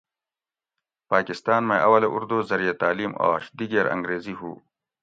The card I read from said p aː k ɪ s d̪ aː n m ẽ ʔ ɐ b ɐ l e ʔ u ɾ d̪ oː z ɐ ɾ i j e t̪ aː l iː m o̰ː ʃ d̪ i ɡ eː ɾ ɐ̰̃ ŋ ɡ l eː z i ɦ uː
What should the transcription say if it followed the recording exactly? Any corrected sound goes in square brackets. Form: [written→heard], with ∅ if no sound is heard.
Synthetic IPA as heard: p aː k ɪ s [d̪→t̪] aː n m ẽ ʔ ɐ [b→w] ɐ l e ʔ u ɾ d̪ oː z ɐ ɾ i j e t̪ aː l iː m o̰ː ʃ d̪ i ɡ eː ɾ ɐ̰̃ ŋ ɡ [l→ɾ] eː z i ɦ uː

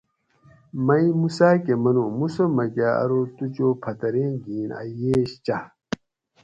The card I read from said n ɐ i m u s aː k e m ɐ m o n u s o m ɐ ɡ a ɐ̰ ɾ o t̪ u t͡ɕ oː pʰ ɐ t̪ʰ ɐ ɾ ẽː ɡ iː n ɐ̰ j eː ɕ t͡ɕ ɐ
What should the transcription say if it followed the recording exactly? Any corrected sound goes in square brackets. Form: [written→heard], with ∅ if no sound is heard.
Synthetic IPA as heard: [n→m] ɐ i m u s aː k e m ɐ [m→n] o [n→m] u s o m ɐ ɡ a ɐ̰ ɾ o t̪ u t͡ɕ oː pʰ ɐ [t̪ʰ→t̪] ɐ ɾ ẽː ɡ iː n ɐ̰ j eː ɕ t͡ɕ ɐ

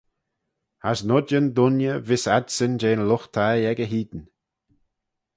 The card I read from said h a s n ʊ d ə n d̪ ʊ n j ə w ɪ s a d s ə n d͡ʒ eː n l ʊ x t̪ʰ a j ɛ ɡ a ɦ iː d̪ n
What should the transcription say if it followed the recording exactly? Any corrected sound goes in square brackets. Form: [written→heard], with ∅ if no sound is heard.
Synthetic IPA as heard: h a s n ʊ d ə n d̪ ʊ n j ə [w→v] ɪ s a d s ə n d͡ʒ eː n l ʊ x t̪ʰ a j ɛ ɡ [a→ə] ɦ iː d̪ n

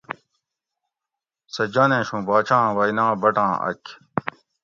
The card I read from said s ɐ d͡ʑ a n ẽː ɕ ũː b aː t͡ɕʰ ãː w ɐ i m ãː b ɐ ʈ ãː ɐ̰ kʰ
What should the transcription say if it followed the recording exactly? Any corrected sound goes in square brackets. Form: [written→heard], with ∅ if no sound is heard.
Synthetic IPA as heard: s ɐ d͡ʑ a n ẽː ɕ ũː b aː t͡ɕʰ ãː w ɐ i [m→n] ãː b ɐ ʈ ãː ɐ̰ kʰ

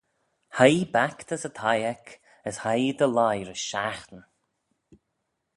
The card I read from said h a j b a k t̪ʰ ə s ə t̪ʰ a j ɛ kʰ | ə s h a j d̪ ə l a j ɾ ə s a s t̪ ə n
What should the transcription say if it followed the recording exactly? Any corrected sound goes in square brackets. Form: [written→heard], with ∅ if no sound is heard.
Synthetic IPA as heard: h a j b a k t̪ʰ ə s ə t̪ʰ a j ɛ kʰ | ə s h a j d̪ ə l a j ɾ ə [s→ʃ] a [s→x] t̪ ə n

